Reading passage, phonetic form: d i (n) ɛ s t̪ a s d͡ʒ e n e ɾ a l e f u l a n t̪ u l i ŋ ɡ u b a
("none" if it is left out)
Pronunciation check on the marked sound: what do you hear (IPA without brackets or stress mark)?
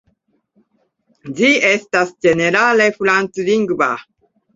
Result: none